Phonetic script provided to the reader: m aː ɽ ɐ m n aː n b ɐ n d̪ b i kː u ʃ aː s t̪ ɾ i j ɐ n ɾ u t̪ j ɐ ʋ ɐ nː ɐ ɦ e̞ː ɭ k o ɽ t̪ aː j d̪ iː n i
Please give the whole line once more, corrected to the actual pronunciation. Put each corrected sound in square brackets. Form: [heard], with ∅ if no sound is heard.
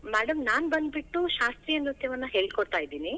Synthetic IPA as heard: m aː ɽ ɐ m n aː n b ɐ n d̪ b i [ʈː] u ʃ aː s t̪ ɾ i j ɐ n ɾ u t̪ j ɐ ʋ ɐ nː ɐ ɦ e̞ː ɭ k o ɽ t̪ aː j d̪ iː n i